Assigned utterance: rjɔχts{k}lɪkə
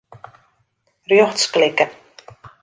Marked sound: correct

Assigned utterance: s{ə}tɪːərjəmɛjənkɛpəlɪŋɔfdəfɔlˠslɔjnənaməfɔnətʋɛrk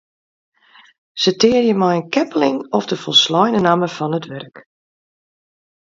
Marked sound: correct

